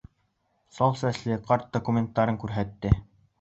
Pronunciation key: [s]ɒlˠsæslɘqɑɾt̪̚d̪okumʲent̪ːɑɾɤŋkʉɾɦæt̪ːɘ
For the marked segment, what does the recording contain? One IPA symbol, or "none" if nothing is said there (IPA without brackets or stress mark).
s